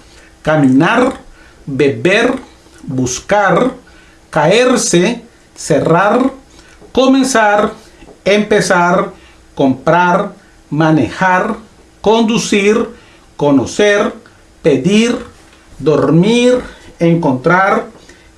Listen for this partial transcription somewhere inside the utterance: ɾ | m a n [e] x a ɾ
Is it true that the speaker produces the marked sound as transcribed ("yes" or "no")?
yes